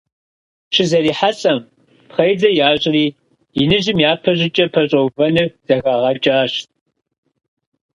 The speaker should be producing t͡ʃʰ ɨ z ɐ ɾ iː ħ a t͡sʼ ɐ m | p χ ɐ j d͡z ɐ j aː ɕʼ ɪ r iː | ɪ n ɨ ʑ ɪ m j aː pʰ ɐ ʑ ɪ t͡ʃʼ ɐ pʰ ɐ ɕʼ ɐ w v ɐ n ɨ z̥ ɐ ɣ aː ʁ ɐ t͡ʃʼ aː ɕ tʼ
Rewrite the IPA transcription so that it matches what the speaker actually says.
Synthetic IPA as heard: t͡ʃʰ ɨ z ɐ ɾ iː ħ a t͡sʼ ɐ m | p χ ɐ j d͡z ɐ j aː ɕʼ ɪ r iː | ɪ n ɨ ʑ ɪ m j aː pʰ ɐ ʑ ɪ t͡ʃʼ ɐ pʰ ɐ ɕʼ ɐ w v ɐ n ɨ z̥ ɐ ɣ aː ʁ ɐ t͡ʃʼ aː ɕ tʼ